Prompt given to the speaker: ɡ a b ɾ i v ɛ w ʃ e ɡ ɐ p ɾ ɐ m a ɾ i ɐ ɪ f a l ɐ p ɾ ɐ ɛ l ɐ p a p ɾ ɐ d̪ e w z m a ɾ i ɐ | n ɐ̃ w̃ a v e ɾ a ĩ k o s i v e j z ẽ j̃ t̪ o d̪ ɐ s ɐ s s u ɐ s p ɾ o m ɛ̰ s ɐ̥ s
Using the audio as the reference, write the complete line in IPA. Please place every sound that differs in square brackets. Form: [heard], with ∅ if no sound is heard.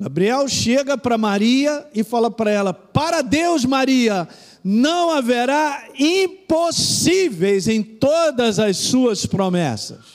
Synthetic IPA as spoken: ɡ a b ɾ i [∅] ɛ w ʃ e ɡ ɐ p ɾ ɐ m a ɾ i ɐ ɪ f a l ɐ p ɾ ɐ ɛ l ɐ p a [∅] ɾ ɐ d̪ e w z m a ɾ i ɐ | n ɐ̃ w̃ a v e ɾ a ĩ [p] o s i v e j z ẽ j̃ t̪ o d̪ ɐ [z] ɐ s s u ɐ s p ɾ o m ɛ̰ s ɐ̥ s